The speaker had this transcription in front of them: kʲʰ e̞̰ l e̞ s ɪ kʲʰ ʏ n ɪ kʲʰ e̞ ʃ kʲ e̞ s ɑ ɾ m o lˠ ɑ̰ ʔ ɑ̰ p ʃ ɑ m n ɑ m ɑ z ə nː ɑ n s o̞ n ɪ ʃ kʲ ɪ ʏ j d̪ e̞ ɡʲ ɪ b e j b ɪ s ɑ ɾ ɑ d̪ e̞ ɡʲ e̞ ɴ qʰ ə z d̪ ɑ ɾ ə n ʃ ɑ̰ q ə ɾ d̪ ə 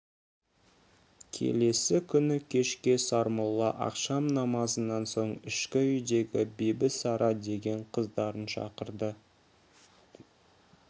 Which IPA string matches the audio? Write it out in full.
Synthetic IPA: kʲʰ e̞̰ l e̞ s ɪ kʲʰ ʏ n ɪ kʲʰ e̞ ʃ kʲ e̞ s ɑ ɾ m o lˠ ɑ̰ ʔ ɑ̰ q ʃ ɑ m n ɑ m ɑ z ə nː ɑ n s o̞ ɴ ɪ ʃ kʲ ɪ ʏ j d̪ e̞ ɡʲ ɪ b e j b ɪ s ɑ ɾ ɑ d̪ e̞ ɡʲ e̞ ɴ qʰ ə z d̪ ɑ ɾ ə n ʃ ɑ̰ q ə ɾ d̪ ə